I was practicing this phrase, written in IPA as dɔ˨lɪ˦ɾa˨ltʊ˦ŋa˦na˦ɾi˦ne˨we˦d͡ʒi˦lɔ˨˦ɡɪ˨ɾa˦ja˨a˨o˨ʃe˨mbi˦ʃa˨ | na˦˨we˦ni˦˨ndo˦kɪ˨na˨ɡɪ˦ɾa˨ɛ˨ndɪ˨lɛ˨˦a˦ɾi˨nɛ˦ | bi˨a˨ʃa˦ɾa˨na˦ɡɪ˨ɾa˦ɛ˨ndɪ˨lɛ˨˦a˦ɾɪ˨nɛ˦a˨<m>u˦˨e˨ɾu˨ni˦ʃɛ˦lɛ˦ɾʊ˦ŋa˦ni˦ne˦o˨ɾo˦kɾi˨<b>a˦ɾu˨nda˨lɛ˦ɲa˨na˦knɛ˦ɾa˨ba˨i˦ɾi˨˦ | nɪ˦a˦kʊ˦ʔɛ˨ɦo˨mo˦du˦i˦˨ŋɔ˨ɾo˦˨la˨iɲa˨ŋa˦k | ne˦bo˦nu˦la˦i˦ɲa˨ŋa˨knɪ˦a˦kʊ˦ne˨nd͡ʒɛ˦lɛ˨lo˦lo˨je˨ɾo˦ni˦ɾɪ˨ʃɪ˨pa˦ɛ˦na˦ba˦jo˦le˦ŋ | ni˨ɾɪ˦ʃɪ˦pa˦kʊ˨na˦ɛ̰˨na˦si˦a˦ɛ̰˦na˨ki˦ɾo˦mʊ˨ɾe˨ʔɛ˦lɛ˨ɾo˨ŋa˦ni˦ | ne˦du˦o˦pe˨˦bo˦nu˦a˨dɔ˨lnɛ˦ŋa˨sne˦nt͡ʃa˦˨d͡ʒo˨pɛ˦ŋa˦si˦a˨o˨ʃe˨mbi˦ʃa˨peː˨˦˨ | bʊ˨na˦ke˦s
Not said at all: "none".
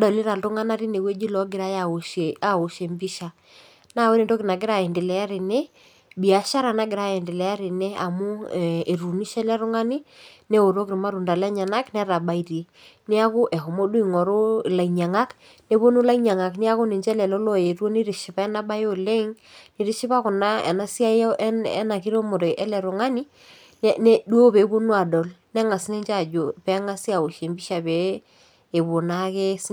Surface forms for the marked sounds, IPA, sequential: m, m

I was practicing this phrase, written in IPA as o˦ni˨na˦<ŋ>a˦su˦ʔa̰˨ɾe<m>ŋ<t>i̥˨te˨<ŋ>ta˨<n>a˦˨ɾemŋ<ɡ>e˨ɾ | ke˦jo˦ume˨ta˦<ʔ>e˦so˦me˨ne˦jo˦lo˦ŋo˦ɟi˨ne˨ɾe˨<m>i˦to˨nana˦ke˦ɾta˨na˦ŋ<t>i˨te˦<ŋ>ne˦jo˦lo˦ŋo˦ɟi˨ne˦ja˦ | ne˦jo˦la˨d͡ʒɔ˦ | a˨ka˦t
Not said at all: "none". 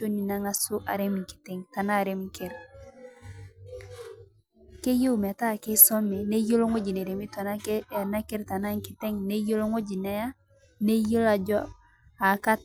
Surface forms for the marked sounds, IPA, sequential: ŋ, m, k, ŋ, n, k, k, m, k, ŋ

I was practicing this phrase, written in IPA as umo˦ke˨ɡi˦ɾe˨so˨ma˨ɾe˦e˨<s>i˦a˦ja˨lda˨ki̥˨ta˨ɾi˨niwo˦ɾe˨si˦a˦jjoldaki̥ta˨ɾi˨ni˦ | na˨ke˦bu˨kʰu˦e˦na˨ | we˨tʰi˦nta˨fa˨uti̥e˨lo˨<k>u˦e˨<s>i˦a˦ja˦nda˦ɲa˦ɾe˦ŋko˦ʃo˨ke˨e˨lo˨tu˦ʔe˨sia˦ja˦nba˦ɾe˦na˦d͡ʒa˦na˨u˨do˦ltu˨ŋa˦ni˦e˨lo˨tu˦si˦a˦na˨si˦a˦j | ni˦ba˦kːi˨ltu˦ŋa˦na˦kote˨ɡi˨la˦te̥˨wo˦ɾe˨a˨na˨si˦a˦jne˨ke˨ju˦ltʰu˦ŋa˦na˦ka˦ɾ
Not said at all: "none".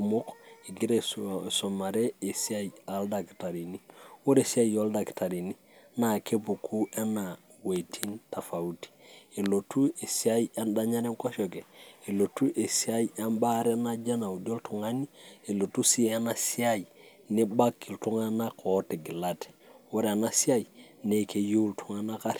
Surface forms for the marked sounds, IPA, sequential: s, t, s

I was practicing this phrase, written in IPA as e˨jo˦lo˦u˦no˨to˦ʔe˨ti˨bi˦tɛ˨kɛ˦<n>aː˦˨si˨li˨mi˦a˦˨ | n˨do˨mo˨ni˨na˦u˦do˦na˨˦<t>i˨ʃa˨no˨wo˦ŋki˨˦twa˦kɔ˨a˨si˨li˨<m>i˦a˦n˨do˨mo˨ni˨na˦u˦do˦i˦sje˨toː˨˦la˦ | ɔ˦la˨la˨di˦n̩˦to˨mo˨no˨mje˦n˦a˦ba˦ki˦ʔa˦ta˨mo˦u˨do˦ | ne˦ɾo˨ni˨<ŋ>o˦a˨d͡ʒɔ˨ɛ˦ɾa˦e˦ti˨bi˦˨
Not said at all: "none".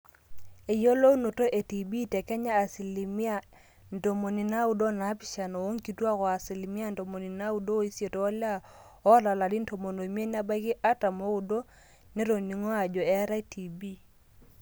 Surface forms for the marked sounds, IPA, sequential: ɲ, p, m, ŋ

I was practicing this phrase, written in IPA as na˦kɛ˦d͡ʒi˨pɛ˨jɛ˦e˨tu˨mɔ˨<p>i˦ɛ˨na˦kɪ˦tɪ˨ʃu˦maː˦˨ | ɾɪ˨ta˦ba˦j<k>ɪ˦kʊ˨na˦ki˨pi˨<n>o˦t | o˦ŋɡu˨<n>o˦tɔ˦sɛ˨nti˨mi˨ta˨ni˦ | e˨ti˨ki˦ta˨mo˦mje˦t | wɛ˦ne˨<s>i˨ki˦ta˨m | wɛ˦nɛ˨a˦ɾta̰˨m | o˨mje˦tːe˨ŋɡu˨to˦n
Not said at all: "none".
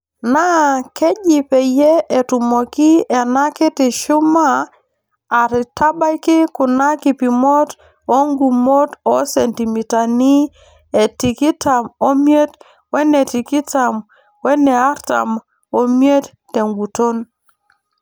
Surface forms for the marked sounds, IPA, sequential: k, k, m, m, t

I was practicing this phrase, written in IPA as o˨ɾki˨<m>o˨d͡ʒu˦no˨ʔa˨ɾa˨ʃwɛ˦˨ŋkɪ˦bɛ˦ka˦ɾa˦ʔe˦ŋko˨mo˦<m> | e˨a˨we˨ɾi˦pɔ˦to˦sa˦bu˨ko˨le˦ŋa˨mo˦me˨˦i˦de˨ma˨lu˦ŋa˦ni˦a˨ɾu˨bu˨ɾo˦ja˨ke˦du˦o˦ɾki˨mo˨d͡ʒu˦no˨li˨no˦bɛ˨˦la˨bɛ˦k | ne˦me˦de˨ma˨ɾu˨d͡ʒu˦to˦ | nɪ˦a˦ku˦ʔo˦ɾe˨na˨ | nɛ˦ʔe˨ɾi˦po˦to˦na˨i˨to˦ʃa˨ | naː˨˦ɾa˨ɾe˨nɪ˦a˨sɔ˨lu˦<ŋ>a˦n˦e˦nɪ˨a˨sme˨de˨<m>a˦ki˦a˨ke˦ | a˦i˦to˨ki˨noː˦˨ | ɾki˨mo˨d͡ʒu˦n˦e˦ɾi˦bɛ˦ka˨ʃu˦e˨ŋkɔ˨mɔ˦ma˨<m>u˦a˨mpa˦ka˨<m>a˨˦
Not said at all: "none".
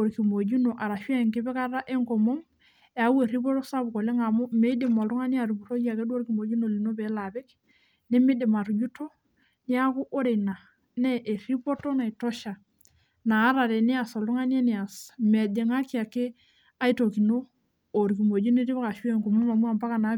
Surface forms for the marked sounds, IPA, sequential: m, m, ŋ, ŋ, m, n

